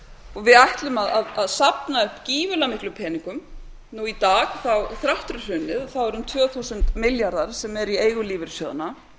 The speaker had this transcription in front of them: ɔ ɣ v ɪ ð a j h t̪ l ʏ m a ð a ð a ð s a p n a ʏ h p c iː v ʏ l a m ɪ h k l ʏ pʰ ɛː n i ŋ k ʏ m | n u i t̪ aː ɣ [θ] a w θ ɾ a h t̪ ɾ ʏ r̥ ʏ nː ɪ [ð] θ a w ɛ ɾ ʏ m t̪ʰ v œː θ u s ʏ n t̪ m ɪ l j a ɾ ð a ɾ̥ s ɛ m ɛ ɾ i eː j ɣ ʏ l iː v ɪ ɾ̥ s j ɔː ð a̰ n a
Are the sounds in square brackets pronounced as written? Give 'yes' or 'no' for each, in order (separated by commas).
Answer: yes, yes